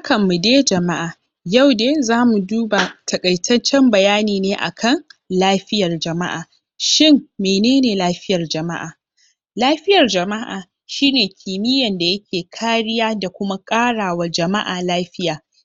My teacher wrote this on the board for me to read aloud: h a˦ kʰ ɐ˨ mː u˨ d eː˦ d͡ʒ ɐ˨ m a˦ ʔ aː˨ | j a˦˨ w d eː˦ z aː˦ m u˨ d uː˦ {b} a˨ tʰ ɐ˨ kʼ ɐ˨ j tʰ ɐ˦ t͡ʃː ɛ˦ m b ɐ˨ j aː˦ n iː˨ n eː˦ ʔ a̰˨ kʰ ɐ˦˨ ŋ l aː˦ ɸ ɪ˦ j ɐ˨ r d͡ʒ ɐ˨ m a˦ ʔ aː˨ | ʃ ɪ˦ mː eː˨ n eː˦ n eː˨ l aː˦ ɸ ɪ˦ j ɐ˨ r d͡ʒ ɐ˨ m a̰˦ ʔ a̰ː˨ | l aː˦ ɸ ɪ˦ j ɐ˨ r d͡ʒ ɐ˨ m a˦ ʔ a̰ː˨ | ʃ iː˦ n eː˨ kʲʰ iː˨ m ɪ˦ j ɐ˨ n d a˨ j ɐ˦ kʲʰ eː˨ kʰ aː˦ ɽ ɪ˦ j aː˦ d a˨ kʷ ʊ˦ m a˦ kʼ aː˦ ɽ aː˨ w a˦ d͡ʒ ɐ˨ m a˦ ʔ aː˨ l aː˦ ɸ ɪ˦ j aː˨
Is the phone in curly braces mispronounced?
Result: no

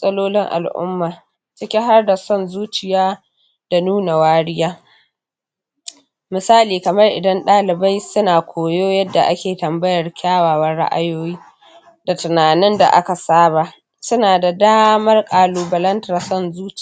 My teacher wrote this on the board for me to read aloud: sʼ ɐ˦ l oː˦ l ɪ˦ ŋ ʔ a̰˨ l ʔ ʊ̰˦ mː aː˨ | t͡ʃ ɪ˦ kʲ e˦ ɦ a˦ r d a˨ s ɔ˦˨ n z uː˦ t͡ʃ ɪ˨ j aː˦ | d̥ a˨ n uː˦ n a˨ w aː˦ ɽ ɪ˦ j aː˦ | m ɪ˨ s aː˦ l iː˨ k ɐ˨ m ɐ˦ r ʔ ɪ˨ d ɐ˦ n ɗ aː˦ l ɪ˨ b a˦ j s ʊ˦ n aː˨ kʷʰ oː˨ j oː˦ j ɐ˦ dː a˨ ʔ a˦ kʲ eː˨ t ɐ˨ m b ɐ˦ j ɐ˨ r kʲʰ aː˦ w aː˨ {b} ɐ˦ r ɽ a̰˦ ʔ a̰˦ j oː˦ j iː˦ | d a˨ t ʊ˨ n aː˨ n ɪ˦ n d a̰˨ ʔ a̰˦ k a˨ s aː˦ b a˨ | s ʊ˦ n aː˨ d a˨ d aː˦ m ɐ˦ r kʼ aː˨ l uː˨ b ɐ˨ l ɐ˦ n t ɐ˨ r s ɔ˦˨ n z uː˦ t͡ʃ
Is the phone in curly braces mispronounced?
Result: yes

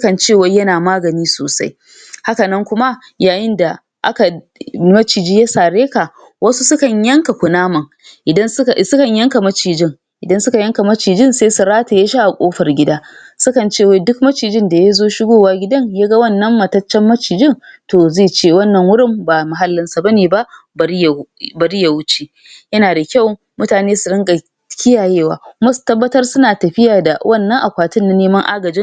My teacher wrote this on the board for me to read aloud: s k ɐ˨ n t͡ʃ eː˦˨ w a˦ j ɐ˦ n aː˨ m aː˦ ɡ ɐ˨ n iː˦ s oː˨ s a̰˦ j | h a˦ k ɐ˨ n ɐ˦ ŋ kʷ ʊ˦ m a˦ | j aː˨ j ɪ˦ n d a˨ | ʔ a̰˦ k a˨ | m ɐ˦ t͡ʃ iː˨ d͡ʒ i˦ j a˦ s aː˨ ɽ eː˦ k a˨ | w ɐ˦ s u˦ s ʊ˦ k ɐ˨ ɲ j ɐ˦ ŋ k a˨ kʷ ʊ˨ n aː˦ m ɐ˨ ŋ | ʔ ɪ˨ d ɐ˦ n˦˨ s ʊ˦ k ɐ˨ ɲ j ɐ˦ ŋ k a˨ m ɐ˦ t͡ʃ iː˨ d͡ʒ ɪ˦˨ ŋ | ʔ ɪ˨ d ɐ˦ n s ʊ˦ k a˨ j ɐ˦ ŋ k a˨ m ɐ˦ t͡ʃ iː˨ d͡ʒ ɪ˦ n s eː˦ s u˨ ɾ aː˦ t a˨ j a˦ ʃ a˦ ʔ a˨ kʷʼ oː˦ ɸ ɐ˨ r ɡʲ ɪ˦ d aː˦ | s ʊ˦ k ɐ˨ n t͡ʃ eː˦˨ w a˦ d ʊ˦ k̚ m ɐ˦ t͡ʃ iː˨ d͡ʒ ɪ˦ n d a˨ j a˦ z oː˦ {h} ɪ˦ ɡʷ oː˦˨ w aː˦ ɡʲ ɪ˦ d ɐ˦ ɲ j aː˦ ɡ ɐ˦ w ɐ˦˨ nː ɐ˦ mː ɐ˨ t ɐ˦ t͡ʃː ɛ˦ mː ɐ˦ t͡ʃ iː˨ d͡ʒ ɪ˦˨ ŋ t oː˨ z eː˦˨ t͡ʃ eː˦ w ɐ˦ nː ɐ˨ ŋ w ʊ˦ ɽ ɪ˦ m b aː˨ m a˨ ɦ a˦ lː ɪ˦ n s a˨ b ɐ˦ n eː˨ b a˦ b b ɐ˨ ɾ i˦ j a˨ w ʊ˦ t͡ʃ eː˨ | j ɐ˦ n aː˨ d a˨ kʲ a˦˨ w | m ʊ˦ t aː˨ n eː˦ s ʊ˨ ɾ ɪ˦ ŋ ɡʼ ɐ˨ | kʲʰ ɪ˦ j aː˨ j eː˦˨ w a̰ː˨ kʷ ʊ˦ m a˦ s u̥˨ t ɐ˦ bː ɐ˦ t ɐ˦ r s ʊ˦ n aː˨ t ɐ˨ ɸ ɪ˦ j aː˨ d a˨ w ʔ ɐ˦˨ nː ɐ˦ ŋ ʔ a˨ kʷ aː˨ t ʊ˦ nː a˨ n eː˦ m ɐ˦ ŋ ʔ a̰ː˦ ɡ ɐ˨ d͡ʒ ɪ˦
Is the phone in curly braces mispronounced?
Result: yes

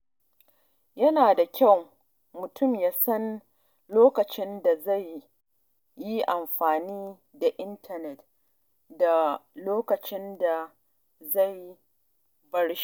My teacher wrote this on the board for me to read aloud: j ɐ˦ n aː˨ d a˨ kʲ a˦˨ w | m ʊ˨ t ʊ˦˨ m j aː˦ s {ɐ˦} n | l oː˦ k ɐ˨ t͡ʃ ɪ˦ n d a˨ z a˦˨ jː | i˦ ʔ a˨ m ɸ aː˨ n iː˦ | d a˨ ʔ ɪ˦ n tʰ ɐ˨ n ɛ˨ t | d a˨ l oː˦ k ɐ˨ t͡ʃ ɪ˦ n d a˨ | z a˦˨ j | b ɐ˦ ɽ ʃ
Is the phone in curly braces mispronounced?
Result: no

